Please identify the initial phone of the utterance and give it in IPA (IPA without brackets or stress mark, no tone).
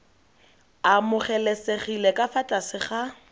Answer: a